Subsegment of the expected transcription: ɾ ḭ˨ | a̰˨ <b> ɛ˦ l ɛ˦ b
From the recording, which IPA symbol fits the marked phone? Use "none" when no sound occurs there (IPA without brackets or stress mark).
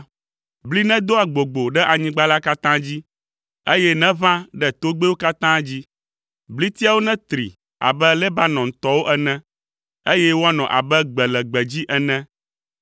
b